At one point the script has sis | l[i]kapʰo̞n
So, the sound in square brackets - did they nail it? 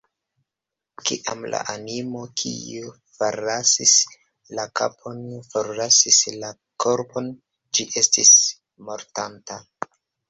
no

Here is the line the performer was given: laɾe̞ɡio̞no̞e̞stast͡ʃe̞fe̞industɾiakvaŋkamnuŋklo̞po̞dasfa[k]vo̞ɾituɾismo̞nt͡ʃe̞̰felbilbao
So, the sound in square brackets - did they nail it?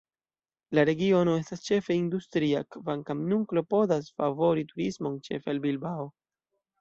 no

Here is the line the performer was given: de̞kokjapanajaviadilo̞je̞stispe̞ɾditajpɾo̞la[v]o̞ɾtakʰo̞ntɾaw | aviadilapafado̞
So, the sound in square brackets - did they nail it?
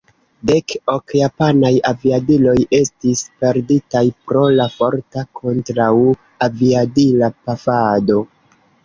no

